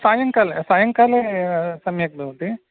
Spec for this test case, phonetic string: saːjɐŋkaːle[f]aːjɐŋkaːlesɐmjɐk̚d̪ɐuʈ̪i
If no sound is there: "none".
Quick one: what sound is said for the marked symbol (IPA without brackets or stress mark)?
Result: s